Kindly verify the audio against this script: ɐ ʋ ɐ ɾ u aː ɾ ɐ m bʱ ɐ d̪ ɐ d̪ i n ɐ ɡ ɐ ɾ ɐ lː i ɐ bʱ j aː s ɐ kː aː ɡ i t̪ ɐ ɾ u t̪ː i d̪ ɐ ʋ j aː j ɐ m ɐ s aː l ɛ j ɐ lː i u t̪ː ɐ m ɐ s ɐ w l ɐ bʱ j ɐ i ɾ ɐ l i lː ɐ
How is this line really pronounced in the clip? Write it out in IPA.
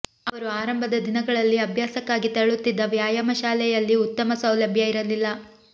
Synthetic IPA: ɐ ʋ ɐ ɾ u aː ɾ ɐ m bʱ ɐ d̪ ɐ d̪ i n ɐ ɡ ɐ ɭ ɐ lː i ɐ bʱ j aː s ɐ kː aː ɡ i t̪ ɐ ɭ u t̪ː i d̪ː ɐ ʋ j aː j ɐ m ɐ ʃ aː l ɛ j ɐ lː i u t̪ː ɐ m ɐ s ɐ w l ɐ bʱ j ɐ i ɾ ɐ l i lː ɐ